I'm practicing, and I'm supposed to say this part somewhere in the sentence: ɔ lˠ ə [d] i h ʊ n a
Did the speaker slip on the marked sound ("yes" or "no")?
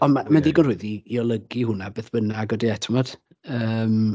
yes